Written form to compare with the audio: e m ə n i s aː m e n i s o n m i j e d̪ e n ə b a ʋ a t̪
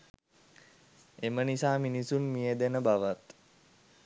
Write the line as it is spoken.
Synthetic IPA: e m ə n i s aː m i n i s u n m i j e d̪ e n ə b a ʋ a t̪